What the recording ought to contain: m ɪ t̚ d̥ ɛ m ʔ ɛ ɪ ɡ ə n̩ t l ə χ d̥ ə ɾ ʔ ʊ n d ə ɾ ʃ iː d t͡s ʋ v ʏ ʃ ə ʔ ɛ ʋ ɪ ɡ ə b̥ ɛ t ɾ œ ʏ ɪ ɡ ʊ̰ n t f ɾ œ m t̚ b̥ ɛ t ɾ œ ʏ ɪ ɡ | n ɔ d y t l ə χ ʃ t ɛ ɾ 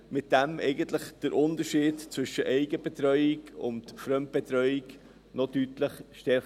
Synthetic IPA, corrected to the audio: m ɪ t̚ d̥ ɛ m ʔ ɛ ɪ ɡ ə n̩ t l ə χ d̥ ə ɾ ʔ ʊ n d ə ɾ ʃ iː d t͡s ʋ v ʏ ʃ ə ʔ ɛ ɪ ɡ ə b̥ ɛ t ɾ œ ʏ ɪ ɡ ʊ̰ n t f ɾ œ m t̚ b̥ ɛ t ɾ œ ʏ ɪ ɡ | n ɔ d y t l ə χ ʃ t ɛ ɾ